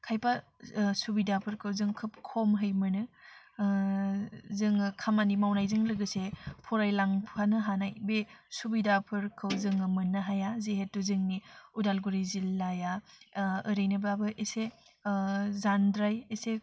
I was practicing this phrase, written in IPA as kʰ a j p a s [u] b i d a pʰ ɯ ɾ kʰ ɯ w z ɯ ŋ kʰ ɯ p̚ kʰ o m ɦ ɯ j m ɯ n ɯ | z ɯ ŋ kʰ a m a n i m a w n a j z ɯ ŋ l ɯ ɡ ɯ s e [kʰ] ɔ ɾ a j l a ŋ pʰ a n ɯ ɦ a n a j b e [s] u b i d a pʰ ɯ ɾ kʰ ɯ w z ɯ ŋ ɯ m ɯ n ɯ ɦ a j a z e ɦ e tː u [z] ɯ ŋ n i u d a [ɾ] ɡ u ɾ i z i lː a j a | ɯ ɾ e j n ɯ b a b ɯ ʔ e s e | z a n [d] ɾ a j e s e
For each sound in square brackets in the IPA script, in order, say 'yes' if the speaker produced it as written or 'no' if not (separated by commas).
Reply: yes, no, yes, yes, no, yes